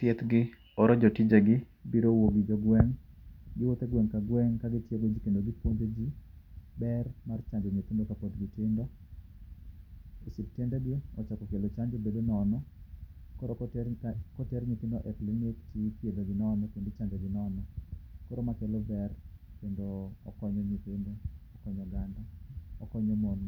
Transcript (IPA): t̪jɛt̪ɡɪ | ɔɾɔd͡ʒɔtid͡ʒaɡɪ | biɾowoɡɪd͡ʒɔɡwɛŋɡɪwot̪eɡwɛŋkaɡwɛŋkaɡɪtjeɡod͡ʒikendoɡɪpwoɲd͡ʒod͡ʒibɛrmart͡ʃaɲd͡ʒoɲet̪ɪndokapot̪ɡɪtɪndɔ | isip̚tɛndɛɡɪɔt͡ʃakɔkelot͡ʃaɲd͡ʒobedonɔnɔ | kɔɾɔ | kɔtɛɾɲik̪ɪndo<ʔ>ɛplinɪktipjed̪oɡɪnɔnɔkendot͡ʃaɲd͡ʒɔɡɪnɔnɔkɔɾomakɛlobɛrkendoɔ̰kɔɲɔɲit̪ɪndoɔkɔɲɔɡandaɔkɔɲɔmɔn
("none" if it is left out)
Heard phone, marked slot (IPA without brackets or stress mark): ʔ